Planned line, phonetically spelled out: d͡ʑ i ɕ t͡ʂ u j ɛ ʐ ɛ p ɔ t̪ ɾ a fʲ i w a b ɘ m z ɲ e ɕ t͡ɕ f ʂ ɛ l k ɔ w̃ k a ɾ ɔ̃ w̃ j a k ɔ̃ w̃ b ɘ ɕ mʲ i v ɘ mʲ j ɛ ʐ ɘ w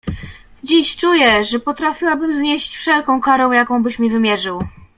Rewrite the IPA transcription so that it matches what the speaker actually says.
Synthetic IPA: d͡ʑ i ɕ t͡ʂ u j ɛ ʐ ɛ p ɔ t̪ ɾ a fʲ i w a b ɘ m z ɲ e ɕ t͡ɕ f ʂ ɛ l k ɔ̃ w̃ k a ɾ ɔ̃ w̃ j a k ɔ̃ w̃ b ɘ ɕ mʲ i v ɘ mʲ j ɛ ʐ ɘ w

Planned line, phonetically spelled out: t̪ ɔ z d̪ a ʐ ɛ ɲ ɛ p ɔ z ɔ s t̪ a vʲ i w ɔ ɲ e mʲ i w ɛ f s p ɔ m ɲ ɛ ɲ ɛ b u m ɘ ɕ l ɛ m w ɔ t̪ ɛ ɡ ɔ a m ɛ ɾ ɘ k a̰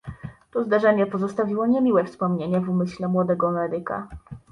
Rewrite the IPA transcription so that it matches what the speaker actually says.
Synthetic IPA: t̪ ɔ z d̪ a ʐ ɛ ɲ ɛ p ɔ z ɔ s t̪ a vʲ i w ɔ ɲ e mʲ i w ɛ f s p ɔ m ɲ e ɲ ɛ v u m ɘ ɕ l ɛ m w ɔ d̪ ɛ ɡ ɔ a m ɛ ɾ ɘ k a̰

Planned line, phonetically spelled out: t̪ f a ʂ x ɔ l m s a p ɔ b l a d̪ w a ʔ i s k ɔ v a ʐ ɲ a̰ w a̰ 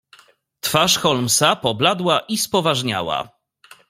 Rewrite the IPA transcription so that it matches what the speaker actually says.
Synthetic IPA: t̪ f a ʂ x ɔ l m s a p ɔ b l a d̪ w a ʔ i s p ɔ v a ʐ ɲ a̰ w a̰

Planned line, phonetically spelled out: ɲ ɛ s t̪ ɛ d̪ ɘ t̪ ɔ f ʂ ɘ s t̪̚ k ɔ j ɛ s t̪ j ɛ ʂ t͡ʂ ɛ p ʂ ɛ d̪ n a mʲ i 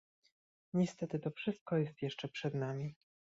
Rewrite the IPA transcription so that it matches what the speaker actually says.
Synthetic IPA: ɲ ɛ s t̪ ɛ t̪ ɘ t̪ ɔ f ʂ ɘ s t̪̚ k ɔ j ɛ s t̪ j ɛ ʂ t͡ʂ ɛ p ʂ ɛ d̪ n a mʲ i

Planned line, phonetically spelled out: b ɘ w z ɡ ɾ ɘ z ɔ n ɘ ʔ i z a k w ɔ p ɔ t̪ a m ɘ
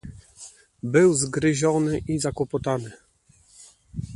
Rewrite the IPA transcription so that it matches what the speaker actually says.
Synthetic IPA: b ɘ w z ɡ ɾ ɘ ʑ ɔ n ɘ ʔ i z a k w ɔ p ɔ t̪ a n ɘ

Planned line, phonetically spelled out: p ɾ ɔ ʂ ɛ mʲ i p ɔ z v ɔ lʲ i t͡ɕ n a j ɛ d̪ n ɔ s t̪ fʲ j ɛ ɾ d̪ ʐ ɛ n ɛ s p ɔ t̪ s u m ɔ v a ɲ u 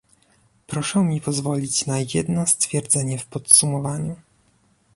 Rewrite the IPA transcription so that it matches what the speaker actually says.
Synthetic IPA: p ɾ ɔ ʂ ɛ mʲ i p ɔ z v ɔ lʲ i t͡ɕ n a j ɛ d̪ n ɔ s t̪ fʲ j ɛ ɾ d̪ z ɛ ɲ ɛ f p ɔ t̪ s u m ɔ v a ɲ u

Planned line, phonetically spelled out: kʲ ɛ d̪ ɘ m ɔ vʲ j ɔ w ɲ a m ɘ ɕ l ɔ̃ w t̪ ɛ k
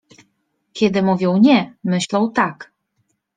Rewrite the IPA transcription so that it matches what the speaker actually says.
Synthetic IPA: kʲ ɛ d̪ ɘ m u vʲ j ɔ w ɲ ɛ m ɘ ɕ l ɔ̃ w t̪ a k

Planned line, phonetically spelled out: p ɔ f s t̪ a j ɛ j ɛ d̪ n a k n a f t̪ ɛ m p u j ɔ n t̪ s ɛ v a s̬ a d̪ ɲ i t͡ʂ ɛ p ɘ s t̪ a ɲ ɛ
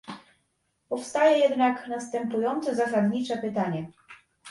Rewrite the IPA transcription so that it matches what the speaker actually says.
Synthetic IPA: p ɔ f s t̪ a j ɛ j ɛ d̪ n a k n a s t̪ ɛ m p u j ɔ n t̪ s ɛ z a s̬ a d̪ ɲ i t͡ʂ ɛ p ɘ t̪ a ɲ ɛ

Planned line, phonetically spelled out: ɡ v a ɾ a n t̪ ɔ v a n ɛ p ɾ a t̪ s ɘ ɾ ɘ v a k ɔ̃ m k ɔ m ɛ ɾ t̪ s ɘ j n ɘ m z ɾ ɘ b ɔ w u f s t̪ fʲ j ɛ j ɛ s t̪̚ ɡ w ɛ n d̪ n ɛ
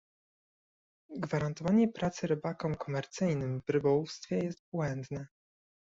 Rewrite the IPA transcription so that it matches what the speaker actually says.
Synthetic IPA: ɡ v a ɾ a n t̪ ɔ v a ɲ ɛ p ɾ a t̪ s ɘ ɾ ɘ b a k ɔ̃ m k ɔ m ɛ ɾ t̪ s ɘ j n ɘ m v ɾ ɘ b ɔ w u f s t̪ fʲ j ɛ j ɛ s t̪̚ b w ɛ n d̪ n ɛ

